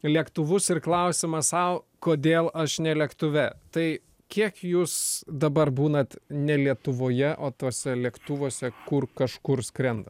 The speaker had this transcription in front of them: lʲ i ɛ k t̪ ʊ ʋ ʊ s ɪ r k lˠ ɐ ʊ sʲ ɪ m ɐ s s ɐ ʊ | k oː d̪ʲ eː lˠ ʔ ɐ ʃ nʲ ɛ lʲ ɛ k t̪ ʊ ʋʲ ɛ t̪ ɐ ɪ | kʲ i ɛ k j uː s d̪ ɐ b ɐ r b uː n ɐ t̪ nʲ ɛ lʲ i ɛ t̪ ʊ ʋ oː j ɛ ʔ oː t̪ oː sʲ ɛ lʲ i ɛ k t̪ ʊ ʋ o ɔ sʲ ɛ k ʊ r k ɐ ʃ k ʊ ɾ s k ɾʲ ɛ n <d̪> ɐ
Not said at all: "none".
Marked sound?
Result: d̪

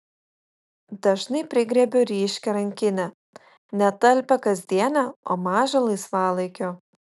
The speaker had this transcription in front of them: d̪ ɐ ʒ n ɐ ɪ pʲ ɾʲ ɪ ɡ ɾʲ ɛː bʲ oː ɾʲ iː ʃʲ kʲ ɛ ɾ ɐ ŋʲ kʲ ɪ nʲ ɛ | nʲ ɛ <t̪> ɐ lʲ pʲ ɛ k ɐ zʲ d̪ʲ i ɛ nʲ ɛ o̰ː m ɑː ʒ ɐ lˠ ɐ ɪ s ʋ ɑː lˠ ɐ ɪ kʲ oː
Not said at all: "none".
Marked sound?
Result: t̪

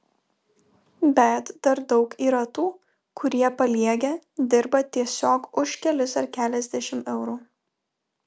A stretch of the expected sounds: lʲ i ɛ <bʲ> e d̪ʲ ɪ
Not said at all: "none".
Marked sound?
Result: ɡʲ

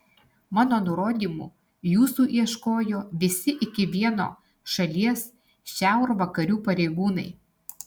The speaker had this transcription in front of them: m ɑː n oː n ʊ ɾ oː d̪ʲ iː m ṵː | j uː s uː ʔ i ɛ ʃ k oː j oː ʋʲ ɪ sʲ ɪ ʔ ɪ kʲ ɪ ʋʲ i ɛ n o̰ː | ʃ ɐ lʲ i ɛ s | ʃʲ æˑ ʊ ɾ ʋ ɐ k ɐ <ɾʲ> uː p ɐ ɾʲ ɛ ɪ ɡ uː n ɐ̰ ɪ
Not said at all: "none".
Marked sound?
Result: ɾʲ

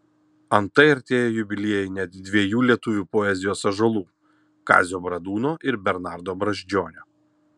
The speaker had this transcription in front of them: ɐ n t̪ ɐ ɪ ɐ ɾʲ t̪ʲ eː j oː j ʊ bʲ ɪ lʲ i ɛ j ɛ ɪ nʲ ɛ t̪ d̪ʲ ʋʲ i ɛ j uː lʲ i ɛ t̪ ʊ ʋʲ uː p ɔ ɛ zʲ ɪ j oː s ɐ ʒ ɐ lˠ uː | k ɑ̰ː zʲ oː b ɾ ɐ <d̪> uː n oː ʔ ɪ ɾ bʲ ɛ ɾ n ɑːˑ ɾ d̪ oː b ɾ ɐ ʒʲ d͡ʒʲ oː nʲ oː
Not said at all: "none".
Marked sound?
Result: d̪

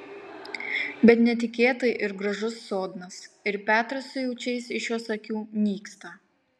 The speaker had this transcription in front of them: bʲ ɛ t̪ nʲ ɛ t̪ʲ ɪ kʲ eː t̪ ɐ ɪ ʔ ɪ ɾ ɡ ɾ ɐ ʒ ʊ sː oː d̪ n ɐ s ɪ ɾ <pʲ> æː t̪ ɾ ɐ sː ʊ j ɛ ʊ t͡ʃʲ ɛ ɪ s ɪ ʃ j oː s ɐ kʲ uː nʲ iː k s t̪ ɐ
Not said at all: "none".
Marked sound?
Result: pʲ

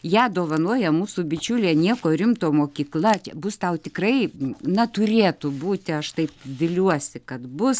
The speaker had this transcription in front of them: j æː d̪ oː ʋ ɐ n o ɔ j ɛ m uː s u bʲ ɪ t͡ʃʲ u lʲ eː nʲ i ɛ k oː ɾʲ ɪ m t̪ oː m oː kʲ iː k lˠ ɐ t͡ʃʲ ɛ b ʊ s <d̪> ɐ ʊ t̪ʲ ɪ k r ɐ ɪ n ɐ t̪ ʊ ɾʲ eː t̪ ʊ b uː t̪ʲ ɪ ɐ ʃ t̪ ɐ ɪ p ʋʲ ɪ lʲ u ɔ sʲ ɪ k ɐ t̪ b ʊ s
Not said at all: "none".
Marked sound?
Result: t̪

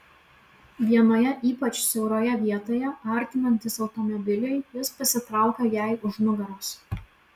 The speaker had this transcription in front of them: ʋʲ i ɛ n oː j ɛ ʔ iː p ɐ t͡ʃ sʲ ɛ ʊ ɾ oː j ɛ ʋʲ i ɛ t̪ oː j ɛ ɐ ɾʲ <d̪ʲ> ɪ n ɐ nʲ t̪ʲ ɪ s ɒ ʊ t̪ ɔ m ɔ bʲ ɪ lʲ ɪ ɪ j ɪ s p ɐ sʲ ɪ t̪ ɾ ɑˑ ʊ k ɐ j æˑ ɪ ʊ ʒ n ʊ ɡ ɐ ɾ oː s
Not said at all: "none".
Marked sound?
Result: t̪ʲ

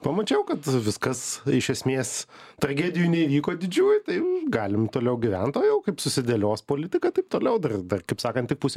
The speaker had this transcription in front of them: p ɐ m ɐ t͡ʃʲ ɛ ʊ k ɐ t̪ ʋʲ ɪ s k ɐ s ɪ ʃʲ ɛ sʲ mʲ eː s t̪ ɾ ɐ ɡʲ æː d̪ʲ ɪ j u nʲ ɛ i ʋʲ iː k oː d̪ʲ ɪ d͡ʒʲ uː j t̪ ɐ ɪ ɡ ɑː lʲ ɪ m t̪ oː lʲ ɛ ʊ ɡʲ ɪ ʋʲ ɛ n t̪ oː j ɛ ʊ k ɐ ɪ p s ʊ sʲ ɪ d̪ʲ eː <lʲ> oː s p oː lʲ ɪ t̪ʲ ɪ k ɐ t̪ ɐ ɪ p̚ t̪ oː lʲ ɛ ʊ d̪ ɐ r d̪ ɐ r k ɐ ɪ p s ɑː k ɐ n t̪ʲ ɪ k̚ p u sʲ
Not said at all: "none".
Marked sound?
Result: lʲ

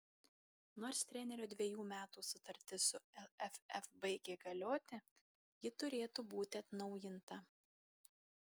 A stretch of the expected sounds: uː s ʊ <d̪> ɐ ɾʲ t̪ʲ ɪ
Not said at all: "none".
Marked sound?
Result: t̪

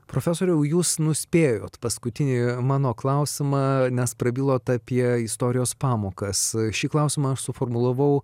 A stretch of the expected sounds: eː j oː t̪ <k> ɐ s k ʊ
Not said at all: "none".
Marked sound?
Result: p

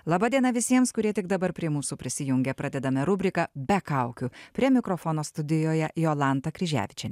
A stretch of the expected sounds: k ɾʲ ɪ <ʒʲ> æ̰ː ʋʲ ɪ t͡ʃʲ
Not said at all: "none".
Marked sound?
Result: ʒʲ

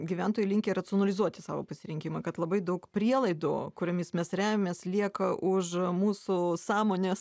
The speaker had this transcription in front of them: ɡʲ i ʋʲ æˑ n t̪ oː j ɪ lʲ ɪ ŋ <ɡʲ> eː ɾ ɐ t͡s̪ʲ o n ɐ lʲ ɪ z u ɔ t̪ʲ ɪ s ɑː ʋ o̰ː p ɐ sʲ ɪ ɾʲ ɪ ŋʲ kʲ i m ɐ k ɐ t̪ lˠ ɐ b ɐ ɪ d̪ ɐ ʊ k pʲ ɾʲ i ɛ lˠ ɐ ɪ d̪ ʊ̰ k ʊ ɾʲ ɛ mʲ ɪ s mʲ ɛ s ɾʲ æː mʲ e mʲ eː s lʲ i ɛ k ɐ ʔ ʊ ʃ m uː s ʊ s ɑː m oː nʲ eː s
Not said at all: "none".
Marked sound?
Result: kʲ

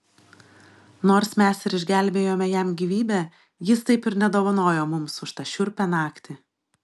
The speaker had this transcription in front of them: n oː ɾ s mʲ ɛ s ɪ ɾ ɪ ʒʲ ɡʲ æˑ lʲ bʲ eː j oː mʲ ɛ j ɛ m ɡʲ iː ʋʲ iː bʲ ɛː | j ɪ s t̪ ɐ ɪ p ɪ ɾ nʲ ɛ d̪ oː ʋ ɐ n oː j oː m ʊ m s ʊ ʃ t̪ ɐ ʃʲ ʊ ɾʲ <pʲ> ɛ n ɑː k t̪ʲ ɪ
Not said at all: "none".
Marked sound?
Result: pʲ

